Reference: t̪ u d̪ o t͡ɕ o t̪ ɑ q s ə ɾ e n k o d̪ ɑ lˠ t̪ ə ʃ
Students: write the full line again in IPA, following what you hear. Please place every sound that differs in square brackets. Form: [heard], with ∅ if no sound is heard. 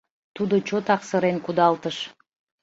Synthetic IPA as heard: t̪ u d̪ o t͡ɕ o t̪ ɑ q s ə ɾ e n k [u] d̪ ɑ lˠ t̪ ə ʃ

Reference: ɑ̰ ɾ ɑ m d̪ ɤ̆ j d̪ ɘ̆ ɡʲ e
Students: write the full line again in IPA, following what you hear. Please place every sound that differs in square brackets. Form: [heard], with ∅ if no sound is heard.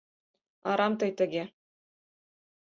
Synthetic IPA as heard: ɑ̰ ɾ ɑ m [t̪] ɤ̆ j [t̪] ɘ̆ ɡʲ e

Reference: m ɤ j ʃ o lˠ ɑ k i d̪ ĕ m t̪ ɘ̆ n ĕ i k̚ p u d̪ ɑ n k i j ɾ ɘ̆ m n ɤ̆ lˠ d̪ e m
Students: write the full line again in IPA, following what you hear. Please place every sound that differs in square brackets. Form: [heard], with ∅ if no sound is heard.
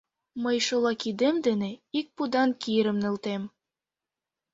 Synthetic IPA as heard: m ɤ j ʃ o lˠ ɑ k i d̪ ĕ m [d̪] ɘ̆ n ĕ i k̚ p u d̪ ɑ n k i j ɾ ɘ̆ m n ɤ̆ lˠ [t̪] e m

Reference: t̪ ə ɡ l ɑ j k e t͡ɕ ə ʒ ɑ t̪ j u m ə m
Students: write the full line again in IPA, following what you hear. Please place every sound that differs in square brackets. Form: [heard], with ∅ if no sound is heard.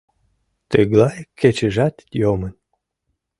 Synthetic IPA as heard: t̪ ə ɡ l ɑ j k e t͡ɕ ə ʒ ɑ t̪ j [o] m ə [n]

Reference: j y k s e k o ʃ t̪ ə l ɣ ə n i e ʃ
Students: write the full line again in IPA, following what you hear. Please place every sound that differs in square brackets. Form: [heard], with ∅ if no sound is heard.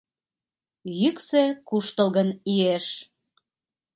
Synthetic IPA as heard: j y k s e k [u] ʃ t̪ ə l ɣ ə n i e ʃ

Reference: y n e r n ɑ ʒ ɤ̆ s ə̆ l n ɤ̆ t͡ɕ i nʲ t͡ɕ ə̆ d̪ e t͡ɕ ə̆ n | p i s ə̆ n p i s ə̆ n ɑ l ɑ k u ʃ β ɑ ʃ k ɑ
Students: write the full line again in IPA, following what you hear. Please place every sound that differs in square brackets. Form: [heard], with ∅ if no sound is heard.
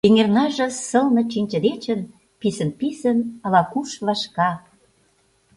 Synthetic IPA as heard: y [ŋ] e r n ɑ ʒ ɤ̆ s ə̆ l n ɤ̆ t͡ɕ i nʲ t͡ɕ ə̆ d̪ e t͡ɕ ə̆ n | p i s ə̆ n p i s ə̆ n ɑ l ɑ k u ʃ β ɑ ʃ k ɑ

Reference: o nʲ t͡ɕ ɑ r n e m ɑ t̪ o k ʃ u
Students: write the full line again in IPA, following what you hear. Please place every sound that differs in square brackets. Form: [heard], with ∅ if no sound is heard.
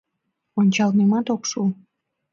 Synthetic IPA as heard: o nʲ t͡ɕ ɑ [l] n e m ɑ t̪ o k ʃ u

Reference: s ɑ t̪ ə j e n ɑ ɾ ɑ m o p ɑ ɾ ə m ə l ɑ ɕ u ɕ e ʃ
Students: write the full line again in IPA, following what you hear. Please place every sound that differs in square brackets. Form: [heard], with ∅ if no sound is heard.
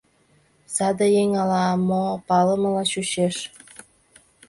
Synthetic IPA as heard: s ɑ [d̪] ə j e [ŋ] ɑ [l] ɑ m o p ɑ [l] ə m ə l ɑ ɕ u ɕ e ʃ

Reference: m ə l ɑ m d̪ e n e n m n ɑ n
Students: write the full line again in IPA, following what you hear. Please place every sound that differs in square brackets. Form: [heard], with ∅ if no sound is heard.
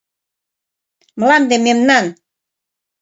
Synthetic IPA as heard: m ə l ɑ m d̪ e [m] e [∅] m n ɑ n

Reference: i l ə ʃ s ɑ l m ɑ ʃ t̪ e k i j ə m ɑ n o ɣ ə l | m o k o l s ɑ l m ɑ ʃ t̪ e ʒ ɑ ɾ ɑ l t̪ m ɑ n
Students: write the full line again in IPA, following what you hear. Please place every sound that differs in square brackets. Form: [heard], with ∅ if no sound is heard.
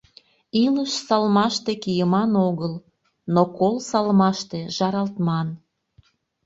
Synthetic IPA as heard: i l ə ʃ s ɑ l m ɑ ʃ t̪ e k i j ə m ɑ n o ɣ ə l | [n] o k o l s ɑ l m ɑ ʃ t̪ e ʒ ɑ ɾ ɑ l t̪ m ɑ n

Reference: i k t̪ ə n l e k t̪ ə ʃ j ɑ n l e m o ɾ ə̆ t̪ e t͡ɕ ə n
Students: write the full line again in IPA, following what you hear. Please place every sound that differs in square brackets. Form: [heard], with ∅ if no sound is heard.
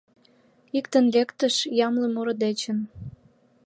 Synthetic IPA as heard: i k t̪ ə n l e k t̪ ə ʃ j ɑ [m] l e m o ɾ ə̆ [d̪] e t͡ɕ ə n

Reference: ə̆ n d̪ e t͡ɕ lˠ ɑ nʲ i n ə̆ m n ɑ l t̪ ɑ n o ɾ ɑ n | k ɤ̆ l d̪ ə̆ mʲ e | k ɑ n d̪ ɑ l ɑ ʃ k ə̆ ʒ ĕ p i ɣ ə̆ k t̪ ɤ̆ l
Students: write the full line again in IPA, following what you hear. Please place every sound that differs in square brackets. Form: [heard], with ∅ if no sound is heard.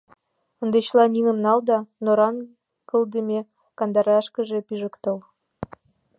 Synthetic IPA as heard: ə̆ n d̪ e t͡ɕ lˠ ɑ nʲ i n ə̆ m n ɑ l [d̪] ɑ n o ɾ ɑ n | k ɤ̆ l d̪ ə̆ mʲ e | k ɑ n d̪ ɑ [ɾ] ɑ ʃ k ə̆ ʒ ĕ p i [ʒ] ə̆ k t̪ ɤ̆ l

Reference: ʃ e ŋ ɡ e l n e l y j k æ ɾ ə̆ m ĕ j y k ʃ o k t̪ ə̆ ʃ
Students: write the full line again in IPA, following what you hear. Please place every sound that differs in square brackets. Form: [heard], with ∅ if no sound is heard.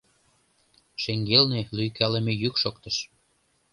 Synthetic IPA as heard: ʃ e ŋ ɡ e l n e l y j k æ [l] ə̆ m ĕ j y k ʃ o k t̪ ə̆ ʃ

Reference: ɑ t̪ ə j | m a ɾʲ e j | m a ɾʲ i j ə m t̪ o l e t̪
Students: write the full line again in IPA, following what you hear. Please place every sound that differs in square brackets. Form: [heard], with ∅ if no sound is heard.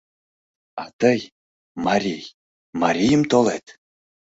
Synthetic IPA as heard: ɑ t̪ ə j | m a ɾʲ [i] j | m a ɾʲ i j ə m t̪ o l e t̪

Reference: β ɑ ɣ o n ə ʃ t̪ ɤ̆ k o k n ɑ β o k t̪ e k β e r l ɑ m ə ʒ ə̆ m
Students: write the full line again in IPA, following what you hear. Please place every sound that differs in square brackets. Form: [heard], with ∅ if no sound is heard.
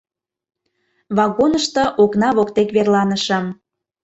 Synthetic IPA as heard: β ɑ ɣ o n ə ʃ t̪ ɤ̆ [ʔ] o k n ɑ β o k t̪ e k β e r l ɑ [n] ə [ʃ] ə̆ m

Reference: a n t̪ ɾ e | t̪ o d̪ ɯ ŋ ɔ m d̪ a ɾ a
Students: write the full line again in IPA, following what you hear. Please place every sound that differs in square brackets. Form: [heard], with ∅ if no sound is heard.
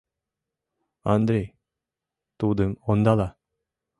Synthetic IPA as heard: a n [d̪] ɾ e | t̪ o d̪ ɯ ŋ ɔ [n] d̪ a [l] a

